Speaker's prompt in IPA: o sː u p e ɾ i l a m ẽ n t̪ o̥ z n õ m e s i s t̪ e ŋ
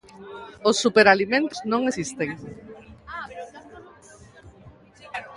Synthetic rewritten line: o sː u p e ɾ a l i m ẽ n t̪ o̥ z n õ ŋ e s i s t̪ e ŋ